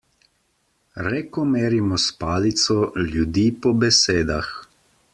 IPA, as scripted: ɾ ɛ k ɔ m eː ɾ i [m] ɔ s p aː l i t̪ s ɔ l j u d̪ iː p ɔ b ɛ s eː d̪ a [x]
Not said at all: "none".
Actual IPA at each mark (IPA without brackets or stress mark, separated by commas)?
m, x